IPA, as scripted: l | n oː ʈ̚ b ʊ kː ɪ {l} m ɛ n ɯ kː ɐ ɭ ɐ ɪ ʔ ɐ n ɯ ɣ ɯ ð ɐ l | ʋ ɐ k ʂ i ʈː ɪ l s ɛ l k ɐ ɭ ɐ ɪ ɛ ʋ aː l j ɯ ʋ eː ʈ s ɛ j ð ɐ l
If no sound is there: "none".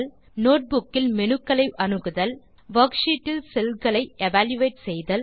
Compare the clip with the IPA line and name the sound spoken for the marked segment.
l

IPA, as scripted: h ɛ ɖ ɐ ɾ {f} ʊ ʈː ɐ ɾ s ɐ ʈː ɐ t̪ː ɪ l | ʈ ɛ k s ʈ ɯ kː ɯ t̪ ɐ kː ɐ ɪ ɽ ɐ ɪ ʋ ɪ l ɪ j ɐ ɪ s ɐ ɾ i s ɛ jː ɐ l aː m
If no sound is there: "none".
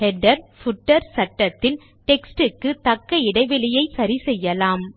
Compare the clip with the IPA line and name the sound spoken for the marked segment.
f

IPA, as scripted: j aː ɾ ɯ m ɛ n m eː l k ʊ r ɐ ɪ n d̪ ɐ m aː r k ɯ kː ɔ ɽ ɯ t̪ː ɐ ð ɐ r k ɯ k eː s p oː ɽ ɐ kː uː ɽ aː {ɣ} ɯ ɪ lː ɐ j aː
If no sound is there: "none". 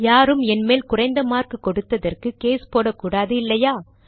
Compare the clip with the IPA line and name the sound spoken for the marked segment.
ð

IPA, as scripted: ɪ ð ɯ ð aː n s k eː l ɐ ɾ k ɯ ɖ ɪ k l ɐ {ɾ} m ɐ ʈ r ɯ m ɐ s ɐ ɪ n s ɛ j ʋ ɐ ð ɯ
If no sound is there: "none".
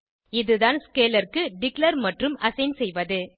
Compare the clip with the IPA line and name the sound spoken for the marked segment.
ɾ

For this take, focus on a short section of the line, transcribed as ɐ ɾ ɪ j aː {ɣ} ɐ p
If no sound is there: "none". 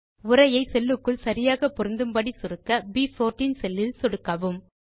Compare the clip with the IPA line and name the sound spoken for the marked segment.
ɣ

